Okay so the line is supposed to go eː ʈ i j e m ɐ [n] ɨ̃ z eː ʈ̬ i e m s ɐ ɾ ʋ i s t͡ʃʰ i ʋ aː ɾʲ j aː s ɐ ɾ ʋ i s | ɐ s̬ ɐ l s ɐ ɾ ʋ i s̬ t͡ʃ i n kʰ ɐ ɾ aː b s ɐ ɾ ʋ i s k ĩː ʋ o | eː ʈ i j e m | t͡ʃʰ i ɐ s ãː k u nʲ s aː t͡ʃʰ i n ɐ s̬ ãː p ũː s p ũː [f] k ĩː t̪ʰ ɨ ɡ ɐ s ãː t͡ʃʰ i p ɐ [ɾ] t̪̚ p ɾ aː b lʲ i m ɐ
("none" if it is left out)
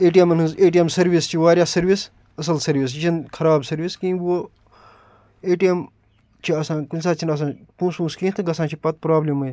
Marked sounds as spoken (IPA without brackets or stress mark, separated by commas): n, s, none